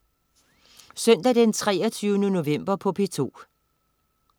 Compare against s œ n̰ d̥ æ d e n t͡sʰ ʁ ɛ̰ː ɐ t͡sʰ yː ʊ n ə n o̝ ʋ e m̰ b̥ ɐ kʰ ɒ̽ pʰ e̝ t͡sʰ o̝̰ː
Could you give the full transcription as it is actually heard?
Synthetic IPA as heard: s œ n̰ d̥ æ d e n t͡sʰ ʁ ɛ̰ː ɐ t͡sʰ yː ʊ n ə n o̝ ʋ e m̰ b̥ ɐ pʰ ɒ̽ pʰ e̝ t͡sʰ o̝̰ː